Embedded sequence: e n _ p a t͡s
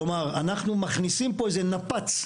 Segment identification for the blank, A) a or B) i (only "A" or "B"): A